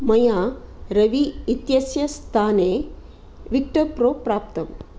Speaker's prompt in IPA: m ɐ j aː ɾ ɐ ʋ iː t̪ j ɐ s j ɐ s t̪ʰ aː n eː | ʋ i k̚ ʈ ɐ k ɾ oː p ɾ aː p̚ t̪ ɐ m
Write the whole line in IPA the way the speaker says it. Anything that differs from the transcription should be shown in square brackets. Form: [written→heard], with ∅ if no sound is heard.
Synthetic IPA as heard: m ɐ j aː ɾ ɐ ʋ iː t̪ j ɐ s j ɐ s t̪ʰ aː n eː | ʋ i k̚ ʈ ɐ [k→p] ɾ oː p ɾ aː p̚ t̪ ɐ m